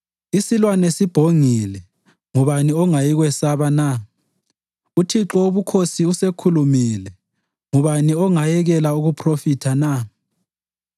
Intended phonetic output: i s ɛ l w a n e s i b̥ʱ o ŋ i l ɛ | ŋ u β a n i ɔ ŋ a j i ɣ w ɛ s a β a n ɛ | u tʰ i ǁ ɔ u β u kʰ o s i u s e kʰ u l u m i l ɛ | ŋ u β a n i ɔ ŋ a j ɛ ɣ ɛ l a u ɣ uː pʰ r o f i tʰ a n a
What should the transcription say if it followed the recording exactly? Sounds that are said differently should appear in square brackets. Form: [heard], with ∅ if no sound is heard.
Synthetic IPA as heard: i s [i] l w a n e s i b̥ʱ o ŋ i l ɛ | ŋ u β a n i ɔ ŋ a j i ɣ w ɛ s a β a n [a] | u tʰ i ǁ ɔ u β u kʰ o s i u s e kʰ u l u m i l ɛ | ŋ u β a n i ɔ ŋ a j ɛ ɣ ɛ l a u ɣ [u] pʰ r o f i tʰ a n a